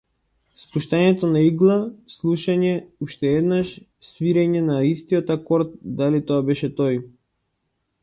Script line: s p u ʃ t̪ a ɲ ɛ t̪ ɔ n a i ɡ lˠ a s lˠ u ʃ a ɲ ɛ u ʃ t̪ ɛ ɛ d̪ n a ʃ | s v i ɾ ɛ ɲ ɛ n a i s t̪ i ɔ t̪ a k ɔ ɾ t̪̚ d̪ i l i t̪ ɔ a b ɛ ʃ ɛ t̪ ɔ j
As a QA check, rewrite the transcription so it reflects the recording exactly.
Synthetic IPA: s p u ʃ t̪ a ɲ ɛ t̪ ɔ n a i ɡ lˠ a s lˠ u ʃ a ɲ ɛ u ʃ t̪ ɛ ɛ d̪ n a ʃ | s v i ɾ ɛ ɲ ɛ n a i s t̪ i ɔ t̪ a k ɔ ɾ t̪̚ d̪ a l i t̪ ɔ a b ɛ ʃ ɛ t̪ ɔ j